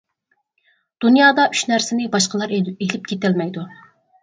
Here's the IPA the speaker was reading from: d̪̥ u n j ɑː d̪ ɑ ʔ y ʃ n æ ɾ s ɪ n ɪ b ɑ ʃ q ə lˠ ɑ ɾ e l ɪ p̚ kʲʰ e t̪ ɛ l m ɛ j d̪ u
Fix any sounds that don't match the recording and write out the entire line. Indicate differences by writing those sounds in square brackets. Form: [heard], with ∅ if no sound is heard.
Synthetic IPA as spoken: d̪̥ u n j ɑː d̪ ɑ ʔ y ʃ n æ ɾ s ɪ n ɪ b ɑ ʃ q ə lˠ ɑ ɾ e l ɪ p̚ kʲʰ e t̪ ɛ l m ɛ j d̪ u